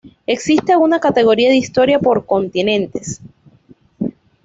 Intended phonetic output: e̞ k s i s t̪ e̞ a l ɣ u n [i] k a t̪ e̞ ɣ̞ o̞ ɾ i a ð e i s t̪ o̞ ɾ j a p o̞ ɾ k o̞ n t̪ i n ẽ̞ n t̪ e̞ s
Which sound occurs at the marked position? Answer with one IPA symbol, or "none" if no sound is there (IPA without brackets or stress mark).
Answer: a